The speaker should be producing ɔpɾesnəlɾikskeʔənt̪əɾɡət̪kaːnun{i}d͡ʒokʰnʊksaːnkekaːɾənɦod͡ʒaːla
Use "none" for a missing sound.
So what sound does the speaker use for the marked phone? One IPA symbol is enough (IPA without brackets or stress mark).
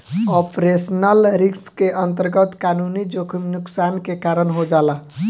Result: i